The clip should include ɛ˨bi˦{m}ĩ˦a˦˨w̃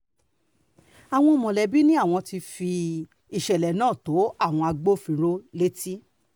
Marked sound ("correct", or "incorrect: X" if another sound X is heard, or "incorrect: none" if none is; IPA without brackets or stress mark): incorrect: n